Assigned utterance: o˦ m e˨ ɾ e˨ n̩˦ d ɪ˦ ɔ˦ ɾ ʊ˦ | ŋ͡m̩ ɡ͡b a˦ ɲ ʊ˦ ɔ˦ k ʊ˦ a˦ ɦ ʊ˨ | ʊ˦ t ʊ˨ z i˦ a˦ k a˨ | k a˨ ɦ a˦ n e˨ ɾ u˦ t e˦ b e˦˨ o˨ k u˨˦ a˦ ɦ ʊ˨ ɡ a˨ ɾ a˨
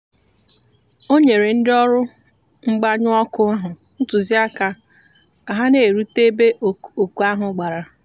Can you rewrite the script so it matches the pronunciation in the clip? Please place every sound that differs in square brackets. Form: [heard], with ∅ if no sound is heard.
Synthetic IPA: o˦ [ɲ] e˨ ɾ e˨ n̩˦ d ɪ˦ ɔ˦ ɾ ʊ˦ | ŋ͡m̩ ɡ͡b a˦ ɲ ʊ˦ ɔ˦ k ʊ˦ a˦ ɦ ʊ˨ | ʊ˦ t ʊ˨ z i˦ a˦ k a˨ | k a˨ ɦ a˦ n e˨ ɾ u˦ t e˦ b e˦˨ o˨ k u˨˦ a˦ ɦ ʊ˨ [ɡ͡b] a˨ ɾ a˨